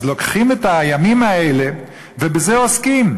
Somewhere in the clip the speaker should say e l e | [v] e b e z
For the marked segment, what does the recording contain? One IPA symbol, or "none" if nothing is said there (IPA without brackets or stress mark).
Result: v